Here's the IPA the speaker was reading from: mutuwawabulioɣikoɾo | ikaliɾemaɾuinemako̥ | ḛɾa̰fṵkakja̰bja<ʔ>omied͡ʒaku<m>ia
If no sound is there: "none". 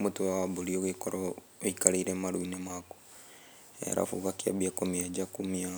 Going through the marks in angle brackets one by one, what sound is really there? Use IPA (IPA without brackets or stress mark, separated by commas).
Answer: k, m